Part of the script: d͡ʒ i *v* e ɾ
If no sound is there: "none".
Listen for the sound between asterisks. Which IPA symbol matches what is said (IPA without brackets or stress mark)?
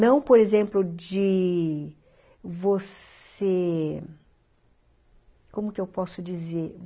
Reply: z